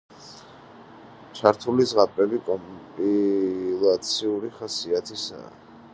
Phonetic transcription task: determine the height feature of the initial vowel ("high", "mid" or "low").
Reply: low